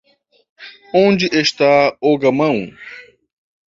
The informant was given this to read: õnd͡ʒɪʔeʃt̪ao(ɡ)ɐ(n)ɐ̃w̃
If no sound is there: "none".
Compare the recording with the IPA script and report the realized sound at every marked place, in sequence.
ɡ, m

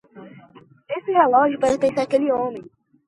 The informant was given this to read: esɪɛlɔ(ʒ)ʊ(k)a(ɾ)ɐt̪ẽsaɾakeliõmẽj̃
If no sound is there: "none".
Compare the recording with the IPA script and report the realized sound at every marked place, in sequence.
ʒ, p, ɾ

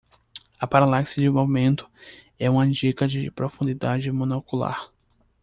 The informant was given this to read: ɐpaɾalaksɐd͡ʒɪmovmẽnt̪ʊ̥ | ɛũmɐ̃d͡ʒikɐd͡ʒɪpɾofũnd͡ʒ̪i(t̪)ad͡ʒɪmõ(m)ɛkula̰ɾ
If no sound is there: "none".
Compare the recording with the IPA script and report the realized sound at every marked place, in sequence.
d̪, n

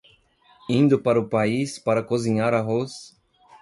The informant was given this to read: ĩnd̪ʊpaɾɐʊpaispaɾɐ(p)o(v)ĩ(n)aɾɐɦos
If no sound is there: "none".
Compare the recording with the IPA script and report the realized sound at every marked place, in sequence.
k, z, ɲ

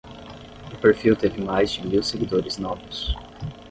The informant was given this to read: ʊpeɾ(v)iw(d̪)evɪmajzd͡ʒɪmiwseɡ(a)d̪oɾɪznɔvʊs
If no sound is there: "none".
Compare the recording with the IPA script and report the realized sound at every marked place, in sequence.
f, t̪, i

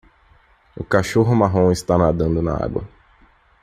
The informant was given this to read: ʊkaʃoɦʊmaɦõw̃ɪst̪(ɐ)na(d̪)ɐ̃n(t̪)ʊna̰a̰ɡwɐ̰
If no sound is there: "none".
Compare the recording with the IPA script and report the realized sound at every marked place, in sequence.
a, d̪, d̪

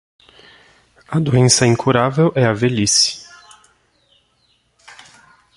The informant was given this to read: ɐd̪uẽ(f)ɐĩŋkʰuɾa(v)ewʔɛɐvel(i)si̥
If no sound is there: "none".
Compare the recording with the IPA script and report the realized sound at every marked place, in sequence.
s, v, i

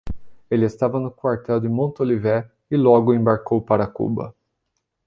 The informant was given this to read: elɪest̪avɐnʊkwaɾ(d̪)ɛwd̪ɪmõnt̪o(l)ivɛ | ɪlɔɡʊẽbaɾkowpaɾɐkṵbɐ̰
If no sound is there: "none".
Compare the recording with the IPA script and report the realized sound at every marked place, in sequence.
t̪, l

